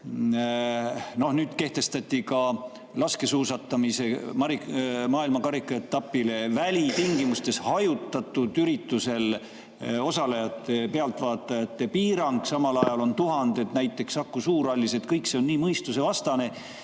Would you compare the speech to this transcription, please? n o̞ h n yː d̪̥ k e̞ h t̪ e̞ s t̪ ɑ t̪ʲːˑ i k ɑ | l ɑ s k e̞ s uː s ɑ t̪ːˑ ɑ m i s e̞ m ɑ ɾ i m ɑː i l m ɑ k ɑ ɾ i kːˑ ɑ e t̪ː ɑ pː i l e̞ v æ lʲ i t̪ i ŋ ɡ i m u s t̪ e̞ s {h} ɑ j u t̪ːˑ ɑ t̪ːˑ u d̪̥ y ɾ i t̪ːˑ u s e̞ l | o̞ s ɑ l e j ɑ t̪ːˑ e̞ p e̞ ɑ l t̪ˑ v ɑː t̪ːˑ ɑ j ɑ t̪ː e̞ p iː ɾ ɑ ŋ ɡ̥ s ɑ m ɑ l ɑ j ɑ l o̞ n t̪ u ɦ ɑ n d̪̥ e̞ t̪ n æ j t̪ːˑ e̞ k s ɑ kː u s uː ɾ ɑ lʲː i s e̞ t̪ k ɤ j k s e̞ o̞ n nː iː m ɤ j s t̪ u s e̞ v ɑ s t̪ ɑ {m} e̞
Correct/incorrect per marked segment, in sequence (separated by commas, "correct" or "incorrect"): correct, incorrect